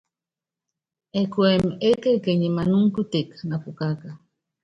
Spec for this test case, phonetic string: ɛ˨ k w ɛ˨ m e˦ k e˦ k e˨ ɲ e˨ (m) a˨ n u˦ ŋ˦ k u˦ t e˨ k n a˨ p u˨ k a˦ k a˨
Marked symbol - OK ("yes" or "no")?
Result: yes